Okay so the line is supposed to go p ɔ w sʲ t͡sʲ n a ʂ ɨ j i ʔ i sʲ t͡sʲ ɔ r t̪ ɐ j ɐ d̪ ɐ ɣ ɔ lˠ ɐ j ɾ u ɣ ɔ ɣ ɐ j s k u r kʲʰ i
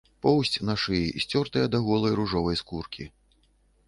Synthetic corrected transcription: p ɔ w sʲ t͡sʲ n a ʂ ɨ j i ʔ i sʲ t͡sʲ ɔ r t̪ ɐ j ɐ d̪ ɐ ɣ ɔ lˠ ɐ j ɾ u ʐ ɔ v ɐ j s k u r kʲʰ i